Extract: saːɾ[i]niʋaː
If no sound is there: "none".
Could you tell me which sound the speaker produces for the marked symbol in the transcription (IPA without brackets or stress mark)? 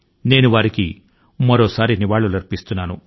i